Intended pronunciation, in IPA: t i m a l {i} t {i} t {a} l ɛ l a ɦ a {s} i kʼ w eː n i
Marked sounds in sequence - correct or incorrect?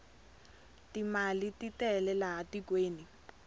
correct, correct, incorrect: ɛ, incorrect: t

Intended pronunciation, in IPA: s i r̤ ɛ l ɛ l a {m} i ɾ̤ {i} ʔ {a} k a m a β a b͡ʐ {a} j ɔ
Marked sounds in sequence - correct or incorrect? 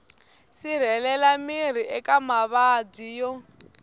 correct, correct, incorrect: ɛ, incorrect: i

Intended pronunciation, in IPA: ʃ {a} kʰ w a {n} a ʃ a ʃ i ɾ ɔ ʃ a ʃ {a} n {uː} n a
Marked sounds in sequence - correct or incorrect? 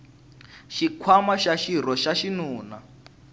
incorrect: i, incorrect: m, incorrect: i, correct

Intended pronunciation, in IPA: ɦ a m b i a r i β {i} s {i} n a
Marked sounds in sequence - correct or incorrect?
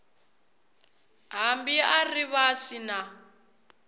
incorrect: a, correct

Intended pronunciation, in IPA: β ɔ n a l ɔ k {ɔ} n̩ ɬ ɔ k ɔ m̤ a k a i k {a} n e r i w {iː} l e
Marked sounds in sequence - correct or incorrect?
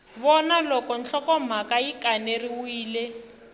correct, correct, correct

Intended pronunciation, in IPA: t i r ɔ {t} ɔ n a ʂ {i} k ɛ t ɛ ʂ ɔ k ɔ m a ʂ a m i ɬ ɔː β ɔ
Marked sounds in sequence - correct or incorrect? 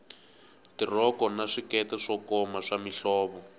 incorrect: k, correct

